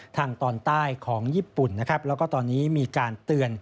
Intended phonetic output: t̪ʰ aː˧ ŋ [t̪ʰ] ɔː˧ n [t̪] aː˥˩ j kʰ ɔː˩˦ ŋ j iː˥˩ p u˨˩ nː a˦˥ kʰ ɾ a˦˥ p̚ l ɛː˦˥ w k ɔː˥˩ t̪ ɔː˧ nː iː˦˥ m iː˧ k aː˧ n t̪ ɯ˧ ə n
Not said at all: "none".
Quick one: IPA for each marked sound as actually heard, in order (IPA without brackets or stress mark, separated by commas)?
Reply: t̪, t̪